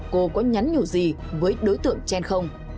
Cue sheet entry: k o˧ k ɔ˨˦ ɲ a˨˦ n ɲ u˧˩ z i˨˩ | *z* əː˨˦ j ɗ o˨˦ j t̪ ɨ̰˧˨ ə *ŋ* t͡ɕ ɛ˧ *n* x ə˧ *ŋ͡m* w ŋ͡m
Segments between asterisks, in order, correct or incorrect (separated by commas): incorrect, correct, correct, incorrect